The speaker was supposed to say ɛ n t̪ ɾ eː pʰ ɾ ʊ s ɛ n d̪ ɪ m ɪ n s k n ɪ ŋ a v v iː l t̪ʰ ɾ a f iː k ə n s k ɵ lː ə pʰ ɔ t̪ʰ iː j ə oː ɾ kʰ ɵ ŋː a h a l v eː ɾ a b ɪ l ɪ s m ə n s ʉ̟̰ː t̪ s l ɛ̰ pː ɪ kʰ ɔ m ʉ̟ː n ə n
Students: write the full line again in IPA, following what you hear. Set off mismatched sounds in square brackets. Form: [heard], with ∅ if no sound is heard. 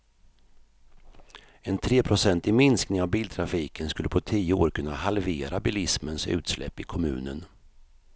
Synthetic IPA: ɛ n [t̪ʰ] ɾ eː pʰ ɾ ʊ s ɛ n [t̪] ɪ m ɪ n s k n ɪ ŋ a v [b] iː l t̪ʰ ɾ a f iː k ə n s k ɵ lː ə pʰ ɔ t̪ʰ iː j ə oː ɾ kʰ ɵ [nː] a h a l v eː ɾ a b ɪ l ɪ s m ə n s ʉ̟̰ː t̪ s l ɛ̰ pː ɪ kʰ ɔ m ʉ̟ː n ə n